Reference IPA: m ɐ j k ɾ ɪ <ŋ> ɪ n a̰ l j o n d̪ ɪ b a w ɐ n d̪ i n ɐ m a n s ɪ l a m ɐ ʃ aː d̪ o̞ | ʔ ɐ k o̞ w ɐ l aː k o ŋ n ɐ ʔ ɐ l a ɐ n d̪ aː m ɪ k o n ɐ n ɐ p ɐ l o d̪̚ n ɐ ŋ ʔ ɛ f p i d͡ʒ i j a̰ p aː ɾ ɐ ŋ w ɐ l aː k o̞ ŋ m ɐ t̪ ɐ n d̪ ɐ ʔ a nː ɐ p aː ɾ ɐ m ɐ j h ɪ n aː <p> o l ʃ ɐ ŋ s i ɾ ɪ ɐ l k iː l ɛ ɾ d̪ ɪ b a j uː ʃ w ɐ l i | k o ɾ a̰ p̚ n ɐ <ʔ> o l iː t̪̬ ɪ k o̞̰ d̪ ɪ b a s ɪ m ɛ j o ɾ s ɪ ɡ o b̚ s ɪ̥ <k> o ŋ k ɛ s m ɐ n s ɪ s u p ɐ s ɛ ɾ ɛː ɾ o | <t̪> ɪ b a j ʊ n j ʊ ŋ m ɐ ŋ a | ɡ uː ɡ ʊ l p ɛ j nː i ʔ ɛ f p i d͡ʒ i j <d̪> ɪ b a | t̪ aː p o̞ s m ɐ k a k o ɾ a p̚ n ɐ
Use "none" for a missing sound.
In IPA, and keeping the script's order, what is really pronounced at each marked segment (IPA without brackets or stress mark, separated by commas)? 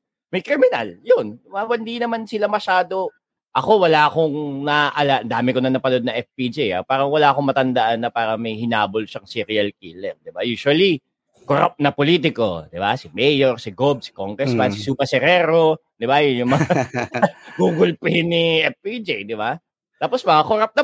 m, b, p, k, d̪, d̪